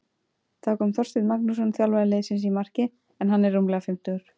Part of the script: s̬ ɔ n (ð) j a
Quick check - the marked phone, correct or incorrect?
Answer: incorrect